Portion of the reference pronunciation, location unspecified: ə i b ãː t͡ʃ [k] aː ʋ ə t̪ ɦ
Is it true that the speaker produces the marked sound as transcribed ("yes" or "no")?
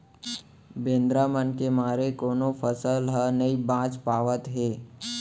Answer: no